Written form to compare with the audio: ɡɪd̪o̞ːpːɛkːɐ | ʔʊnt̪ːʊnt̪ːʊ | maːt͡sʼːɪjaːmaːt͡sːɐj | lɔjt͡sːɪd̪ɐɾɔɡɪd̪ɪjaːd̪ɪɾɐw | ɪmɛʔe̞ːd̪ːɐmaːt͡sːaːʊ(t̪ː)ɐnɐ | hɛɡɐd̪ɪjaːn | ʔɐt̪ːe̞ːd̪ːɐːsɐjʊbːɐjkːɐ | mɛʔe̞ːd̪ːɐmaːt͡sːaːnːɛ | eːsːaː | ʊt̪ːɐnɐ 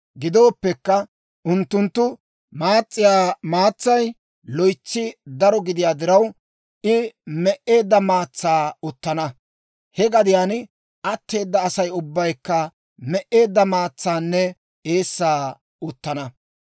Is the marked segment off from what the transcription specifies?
no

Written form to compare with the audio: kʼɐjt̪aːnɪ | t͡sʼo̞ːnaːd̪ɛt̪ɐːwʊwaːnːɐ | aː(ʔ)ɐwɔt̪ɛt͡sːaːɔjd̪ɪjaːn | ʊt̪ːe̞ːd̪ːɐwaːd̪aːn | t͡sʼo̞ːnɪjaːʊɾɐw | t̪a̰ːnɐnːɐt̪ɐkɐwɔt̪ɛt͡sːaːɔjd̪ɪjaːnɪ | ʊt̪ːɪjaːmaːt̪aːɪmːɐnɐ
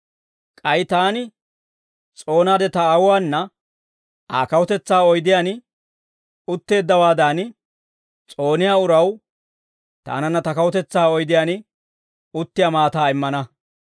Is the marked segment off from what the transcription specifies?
yes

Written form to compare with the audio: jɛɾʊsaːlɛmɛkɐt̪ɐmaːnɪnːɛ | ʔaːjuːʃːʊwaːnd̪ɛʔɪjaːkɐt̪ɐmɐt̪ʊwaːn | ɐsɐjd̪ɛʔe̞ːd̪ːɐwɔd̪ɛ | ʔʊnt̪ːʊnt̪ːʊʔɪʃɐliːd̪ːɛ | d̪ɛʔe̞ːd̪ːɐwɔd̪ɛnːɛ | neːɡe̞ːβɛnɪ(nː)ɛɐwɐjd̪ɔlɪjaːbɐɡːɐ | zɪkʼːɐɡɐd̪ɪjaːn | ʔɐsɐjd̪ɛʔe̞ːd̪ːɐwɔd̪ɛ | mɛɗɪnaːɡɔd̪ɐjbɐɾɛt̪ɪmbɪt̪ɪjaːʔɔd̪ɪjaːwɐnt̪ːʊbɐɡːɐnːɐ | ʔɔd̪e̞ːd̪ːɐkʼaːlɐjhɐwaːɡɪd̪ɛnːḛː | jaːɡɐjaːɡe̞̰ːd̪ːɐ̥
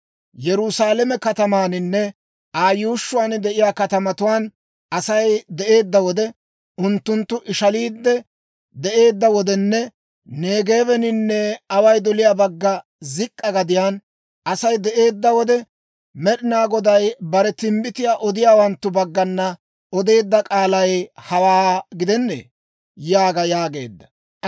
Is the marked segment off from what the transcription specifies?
no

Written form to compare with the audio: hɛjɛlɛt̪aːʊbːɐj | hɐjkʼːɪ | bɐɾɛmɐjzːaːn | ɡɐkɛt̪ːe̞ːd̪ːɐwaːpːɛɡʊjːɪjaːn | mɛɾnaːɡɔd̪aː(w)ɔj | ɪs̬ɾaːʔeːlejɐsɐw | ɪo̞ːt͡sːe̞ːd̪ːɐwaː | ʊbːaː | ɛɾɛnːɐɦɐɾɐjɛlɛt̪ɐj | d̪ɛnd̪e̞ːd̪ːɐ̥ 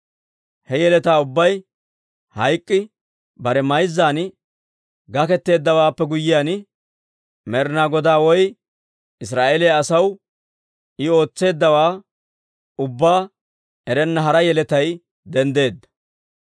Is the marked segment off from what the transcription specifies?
no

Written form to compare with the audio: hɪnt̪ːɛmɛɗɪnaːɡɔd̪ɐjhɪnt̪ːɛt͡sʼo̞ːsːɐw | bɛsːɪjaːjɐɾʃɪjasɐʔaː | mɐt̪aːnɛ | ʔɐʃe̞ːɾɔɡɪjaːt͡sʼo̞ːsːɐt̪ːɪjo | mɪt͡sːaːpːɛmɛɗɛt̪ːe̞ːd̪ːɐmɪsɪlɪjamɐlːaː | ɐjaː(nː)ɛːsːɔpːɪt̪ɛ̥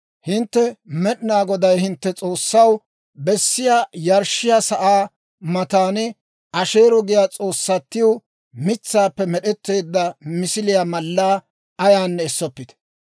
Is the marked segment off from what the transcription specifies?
no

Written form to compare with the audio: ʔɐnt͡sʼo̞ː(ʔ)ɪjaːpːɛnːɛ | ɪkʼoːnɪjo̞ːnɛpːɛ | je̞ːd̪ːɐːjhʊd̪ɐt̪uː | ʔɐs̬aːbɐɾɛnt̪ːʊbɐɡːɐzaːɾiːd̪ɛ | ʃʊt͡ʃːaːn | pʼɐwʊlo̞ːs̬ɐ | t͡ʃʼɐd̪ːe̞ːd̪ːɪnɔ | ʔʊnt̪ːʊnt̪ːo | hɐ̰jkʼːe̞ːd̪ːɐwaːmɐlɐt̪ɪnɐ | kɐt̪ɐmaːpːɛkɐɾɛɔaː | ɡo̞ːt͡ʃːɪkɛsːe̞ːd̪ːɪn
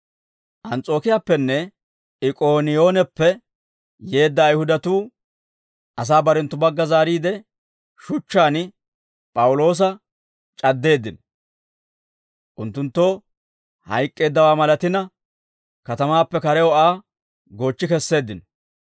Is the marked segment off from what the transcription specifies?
yes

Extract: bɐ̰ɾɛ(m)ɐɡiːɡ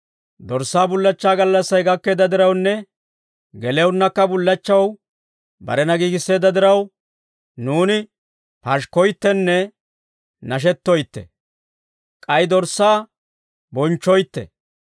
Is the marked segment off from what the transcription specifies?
yes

